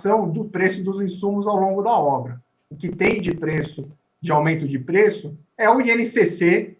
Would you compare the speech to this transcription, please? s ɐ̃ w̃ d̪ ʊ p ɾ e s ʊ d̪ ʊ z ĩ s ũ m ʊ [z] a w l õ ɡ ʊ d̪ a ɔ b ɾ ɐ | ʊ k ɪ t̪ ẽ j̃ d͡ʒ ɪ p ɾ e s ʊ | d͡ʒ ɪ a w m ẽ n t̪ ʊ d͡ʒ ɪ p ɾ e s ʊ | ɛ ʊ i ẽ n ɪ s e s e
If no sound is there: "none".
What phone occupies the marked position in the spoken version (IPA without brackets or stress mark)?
z